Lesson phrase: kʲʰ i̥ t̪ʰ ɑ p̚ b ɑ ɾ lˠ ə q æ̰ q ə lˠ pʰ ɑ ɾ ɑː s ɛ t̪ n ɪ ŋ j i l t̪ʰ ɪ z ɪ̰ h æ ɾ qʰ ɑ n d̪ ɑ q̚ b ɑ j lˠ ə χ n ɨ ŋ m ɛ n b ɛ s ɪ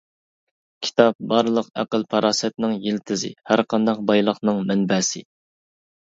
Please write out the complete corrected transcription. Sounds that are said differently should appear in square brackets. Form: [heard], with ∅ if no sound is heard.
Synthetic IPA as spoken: kʲʰ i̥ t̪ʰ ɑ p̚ b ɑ ɾ lˠ ə q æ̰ q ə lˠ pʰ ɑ ɾ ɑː s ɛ t̪ n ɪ ŋ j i l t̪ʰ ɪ z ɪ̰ h æ ɾ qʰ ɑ n d̪ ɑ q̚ b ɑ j lˠ ə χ n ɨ ŋ m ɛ n b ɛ s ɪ